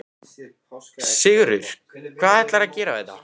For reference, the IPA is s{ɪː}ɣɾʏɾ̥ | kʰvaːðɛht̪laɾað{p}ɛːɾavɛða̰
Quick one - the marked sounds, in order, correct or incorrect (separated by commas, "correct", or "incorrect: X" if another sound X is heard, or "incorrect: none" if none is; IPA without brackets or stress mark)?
incorrect: ɪ, incorrect: c